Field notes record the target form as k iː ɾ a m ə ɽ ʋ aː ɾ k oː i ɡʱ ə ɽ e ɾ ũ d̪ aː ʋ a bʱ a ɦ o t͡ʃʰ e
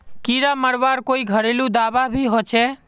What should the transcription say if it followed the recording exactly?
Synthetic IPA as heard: k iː ɾ a m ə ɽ ʋ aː ɾ k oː i ɡʱ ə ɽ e l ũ d̪ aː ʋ a bʱ i ɦ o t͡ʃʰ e

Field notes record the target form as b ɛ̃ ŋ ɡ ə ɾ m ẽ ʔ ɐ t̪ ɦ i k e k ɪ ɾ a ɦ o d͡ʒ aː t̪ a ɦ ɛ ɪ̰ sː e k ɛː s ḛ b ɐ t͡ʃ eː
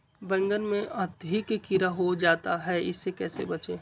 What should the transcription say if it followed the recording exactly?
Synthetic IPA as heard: b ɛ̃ ŋ ɡ ə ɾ m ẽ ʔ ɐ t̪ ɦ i k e k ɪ ɾ a ɦ o d͡ʒ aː t̪ a ɦ ɛ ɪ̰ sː e k ɛː s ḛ b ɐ t͡ʃ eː

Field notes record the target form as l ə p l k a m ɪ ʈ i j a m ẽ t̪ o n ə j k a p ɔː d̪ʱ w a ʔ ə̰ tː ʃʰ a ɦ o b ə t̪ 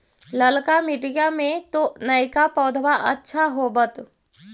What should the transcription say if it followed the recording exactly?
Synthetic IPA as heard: l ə l k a m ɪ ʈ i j a m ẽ t̪ o n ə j k a p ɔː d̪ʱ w a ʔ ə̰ tː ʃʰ a ɦ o b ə t̪

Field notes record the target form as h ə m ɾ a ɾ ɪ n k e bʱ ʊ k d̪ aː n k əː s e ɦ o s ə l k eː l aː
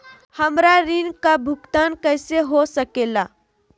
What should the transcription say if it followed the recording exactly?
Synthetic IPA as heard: h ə m ɾ a ɾ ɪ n k a bʱ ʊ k t̪ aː n k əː s e ɦ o s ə k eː l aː

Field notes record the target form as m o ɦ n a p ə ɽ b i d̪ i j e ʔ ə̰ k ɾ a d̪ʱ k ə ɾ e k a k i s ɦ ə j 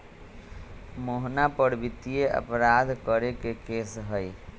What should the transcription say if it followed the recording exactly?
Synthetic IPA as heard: m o ɦ n a p ə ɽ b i t̪ i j e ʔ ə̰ p ɾ a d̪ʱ k ə ɾ e k e k e s ɦ ə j

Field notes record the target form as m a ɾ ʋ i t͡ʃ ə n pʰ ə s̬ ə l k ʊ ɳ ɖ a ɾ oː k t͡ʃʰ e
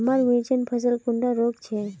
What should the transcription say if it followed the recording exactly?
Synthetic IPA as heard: m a ɾ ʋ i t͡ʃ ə n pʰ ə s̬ ə l k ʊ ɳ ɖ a ɾ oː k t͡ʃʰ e

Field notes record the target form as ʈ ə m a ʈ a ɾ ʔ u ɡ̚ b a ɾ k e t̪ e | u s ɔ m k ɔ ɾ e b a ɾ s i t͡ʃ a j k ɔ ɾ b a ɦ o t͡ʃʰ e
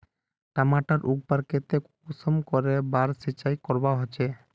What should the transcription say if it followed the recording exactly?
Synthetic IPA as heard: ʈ a m a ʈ a ɾ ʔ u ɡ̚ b a ɾ k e t̪ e | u s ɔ m k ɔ ɾ e b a ɾ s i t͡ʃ a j k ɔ ɾ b a ɦ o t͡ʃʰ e

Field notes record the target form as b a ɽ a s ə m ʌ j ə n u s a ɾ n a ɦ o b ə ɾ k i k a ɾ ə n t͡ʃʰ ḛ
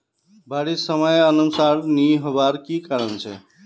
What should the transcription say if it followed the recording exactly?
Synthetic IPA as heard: b a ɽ i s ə m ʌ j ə n u s a ɾ n i ɦ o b a ɾ k i k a ɾ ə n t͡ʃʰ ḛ

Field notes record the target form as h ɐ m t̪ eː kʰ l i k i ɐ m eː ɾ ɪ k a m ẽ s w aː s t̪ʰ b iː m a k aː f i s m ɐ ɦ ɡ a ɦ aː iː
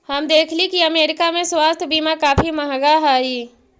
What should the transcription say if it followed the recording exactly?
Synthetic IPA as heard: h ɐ m d̪ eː kʰ l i k i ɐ m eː ɾ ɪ k a m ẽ s w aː s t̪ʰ b iː m a k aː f i m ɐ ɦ ɡ a ɦ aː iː

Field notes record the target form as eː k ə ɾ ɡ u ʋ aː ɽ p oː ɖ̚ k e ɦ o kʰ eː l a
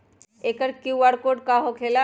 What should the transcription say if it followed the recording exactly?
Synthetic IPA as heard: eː k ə ɾ k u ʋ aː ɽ k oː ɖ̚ k a ɦ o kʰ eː l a

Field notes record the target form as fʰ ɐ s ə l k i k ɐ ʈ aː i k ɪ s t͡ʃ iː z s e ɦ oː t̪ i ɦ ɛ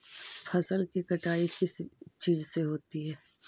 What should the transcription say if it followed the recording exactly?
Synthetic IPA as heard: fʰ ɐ s ə l k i k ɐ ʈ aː i k ɪ s t͡ʃ iː z s e ɦ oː t̪ i ɦ ɛː

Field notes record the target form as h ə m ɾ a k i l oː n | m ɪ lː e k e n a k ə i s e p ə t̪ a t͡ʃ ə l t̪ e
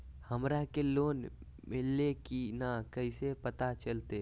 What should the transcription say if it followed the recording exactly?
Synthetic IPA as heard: h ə m ɾ a k e l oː n | m ɪ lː e k i n a k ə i s e p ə t̪ a t͡ʃ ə l t̪ e

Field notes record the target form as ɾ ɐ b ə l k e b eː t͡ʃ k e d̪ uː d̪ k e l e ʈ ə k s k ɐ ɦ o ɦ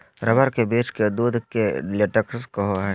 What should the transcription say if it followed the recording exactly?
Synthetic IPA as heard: ɾ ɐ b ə ɾ k e b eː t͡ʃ k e d̪ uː d̪ k e l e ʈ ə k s k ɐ ɦ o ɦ

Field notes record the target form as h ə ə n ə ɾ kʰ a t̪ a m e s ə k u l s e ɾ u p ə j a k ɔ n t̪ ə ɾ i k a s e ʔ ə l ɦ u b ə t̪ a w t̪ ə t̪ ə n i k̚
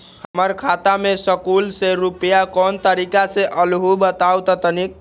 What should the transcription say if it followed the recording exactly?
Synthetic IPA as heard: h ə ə m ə ɾ kʰ a t̪ a m e s ə k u l s e ɾ u p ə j a k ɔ n t̪ ə ɾ i k a s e ʔ ə l ɦ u b ə t̪ a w t̪ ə t̪ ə n i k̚

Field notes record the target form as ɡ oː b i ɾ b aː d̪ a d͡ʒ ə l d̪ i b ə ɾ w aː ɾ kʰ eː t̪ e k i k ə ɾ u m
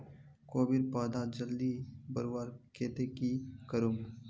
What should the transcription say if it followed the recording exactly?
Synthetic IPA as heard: k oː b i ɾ p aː d̪ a d͡ʒ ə l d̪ i b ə ɾ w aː ɾ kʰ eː t̪ e k i k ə ɾ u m

